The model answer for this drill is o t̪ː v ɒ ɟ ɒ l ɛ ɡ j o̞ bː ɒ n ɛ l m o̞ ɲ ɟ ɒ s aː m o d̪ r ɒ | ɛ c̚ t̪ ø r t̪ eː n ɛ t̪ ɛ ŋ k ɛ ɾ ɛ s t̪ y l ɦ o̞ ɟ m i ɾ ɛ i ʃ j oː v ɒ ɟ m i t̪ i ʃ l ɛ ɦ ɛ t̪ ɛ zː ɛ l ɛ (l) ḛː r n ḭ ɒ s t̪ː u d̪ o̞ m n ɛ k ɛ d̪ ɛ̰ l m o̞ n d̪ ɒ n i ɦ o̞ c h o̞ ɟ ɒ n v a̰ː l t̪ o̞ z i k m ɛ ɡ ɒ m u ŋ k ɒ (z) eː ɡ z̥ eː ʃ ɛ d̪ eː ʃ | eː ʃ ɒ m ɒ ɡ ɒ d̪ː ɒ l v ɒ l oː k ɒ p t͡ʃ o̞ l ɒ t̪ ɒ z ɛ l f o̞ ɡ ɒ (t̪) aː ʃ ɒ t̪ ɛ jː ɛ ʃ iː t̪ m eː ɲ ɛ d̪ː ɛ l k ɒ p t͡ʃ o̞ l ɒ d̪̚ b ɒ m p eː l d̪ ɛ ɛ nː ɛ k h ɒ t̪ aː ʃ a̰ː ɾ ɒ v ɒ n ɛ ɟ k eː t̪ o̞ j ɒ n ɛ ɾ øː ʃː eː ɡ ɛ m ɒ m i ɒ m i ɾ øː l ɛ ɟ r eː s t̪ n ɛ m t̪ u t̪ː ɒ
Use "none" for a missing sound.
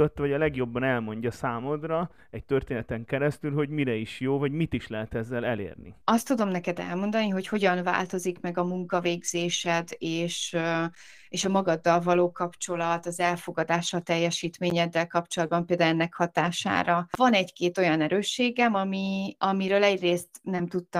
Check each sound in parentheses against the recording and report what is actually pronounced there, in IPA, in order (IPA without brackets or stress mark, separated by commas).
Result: l, v, d̪